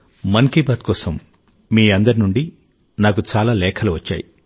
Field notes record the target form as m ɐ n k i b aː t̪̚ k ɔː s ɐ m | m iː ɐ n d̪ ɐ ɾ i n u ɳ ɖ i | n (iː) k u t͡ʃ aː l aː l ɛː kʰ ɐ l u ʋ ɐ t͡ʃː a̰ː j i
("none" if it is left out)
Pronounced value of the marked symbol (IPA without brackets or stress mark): aː